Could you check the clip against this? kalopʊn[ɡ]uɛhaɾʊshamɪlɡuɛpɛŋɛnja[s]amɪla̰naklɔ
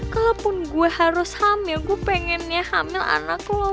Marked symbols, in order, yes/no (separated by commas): yes, no